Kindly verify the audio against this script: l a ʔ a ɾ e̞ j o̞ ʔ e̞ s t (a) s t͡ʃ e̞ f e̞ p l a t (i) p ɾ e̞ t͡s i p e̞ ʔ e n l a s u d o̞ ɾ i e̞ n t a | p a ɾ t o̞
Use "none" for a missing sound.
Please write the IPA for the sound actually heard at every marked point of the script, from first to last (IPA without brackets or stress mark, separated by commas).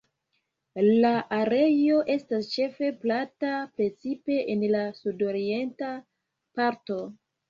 a, a